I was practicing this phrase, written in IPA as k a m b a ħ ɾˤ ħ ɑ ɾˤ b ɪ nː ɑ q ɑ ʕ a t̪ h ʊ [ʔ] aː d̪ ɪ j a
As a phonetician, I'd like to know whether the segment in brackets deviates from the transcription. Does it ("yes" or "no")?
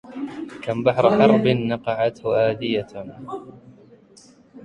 no